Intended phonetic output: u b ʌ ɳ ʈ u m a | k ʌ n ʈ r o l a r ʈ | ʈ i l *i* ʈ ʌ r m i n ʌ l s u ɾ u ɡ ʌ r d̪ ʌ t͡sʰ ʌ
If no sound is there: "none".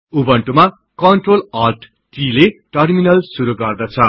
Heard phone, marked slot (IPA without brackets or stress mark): e